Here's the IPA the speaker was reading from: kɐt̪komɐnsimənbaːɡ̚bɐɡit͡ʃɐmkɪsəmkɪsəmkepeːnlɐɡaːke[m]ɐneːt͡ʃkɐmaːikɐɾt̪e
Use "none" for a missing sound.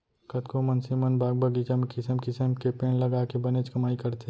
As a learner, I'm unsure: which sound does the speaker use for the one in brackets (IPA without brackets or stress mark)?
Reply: b